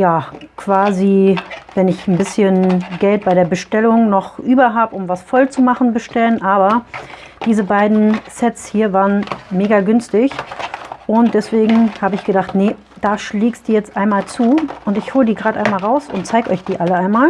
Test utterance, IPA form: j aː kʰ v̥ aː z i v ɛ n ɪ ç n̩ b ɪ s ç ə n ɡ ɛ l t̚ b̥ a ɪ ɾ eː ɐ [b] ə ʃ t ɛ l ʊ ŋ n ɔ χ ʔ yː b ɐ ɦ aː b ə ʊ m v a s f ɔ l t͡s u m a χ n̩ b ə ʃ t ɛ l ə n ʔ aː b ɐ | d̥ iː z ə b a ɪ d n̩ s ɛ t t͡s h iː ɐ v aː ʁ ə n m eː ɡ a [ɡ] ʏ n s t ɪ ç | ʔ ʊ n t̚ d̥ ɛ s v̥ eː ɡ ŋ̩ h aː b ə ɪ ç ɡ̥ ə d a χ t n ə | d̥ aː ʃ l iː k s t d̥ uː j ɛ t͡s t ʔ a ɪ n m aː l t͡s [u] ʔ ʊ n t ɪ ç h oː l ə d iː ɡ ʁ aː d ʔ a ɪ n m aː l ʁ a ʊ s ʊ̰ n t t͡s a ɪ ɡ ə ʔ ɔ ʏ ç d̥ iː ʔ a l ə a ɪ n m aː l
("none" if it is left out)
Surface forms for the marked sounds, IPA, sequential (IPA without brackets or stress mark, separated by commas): b, ɡ, uː